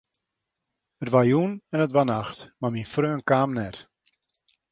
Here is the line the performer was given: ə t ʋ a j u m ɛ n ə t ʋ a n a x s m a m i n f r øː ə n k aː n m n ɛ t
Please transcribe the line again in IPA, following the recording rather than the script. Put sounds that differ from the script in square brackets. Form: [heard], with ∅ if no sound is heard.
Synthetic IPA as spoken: ə t ʋ a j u [n] ɛ n ə t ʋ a n a x [t] m a m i n f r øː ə n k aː [∅] m n ɛ t